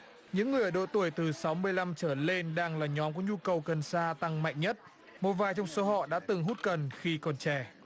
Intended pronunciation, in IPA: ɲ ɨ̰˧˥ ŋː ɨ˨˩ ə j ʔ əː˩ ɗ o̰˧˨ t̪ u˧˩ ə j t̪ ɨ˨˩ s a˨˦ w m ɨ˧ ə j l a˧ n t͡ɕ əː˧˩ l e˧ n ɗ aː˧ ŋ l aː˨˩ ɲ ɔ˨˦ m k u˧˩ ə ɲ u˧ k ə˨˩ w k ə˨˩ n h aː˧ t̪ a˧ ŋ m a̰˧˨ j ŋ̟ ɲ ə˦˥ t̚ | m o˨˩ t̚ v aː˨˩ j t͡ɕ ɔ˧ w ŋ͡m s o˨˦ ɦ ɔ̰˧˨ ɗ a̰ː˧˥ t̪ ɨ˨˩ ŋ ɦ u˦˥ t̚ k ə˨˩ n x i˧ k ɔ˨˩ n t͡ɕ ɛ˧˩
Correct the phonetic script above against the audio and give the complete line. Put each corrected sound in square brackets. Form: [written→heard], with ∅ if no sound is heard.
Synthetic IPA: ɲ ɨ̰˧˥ ŋː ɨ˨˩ ə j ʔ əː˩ ɗ o̰˧˨ t̪ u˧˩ ə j t̪ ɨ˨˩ s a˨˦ w m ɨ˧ ə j l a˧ [n→m] t͡ɕ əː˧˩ l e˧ n ɗ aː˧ ŋ l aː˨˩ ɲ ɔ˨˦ m k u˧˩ ə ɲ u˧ k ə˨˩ w k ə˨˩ n [h→s] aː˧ t̪ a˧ ŋ m a̰˧˨ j ŋ̟ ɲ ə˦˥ t̚ | m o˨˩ t̚ v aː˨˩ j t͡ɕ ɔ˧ w ŋ͡m s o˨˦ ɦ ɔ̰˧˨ ɗ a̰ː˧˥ t̪ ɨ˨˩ ŋ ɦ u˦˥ t̚ k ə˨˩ n x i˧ k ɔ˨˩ n t͡ɕ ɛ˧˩